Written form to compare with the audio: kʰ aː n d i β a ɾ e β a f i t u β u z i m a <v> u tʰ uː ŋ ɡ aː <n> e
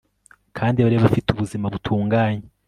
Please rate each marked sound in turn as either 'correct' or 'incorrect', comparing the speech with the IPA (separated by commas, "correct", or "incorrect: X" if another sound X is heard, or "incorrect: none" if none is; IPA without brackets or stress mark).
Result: incorrect: β, incorrect: ɲ